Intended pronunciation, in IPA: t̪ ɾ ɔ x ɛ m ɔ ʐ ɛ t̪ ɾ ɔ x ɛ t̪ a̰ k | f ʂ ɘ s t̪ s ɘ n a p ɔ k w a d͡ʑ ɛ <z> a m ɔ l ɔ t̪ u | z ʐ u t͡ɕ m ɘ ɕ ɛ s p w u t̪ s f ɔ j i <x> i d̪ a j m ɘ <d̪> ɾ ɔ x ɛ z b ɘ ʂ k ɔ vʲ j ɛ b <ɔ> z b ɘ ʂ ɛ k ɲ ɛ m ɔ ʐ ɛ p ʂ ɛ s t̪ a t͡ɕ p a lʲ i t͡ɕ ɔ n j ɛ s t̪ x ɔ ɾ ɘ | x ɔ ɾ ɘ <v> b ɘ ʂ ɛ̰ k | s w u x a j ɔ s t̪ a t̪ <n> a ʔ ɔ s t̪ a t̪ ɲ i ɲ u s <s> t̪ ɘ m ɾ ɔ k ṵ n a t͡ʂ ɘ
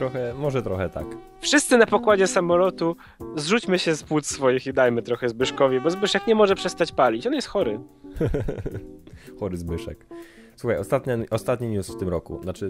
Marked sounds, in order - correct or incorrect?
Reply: incorrect: s, correct, incorrect: t̪, correct, incorrect: z, incorrect: ɲ, incorrect: f

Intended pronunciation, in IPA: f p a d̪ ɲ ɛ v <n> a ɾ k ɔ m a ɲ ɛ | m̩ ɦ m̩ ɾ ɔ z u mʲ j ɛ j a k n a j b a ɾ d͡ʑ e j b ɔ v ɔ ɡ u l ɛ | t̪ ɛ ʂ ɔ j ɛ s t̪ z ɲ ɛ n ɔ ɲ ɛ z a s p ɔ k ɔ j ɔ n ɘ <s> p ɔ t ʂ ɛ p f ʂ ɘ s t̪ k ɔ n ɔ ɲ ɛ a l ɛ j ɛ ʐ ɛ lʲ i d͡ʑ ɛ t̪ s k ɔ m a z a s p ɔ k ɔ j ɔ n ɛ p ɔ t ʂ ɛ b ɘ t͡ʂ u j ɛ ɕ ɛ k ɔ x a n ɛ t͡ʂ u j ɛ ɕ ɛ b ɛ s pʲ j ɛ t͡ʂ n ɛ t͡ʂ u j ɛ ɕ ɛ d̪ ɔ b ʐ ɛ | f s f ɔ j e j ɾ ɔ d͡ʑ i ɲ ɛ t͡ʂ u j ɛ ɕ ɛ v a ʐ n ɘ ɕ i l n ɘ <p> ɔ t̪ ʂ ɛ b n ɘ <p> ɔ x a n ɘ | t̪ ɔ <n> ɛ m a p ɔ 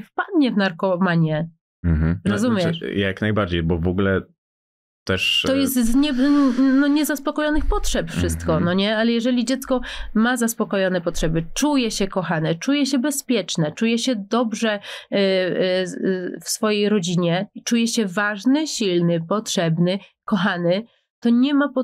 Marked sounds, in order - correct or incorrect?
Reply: correct, incorrect: x, correct, incorrect: k, incorrect: ɲ

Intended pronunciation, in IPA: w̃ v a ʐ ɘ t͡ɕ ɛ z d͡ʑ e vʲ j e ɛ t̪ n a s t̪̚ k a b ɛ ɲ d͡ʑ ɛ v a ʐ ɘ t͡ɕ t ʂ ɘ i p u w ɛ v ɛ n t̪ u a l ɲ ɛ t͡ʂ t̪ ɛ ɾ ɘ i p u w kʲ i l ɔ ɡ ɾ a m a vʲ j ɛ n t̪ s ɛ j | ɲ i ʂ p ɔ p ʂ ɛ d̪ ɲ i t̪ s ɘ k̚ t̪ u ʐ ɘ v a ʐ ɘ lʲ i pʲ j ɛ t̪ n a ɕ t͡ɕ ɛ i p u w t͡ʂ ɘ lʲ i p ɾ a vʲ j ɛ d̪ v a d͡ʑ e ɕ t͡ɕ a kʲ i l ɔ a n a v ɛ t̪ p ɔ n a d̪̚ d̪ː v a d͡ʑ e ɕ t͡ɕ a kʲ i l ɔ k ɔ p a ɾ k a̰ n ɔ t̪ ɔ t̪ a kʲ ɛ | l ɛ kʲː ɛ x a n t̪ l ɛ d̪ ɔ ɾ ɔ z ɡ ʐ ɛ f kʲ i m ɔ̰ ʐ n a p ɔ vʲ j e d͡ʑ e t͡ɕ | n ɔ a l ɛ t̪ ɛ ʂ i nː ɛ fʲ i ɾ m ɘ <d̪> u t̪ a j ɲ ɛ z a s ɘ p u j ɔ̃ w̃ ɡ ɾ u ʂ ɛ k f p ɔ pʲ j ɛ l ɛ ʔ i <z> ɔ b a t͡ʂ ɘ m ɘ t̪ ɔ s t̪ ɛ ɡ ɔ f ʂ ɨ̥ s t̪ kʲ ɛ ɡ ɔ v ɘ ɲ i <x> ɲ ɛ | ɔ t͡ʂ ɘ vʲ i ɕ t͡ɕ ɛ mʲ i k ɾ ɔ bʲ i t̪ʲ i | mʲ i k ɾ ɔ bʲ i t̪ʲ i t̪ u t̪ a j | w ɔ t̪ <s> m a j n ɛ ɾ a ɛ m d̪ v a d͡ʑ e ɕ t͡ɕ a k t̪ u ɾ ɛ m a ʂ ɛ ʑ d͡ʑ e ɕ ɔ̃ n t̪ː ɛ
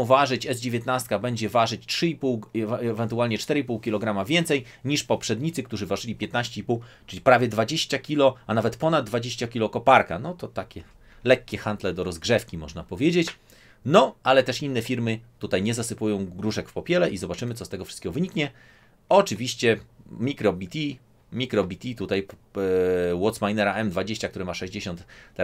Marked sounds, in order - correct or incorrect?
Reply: incorrect: t̪, correct, incorrect: k, correct

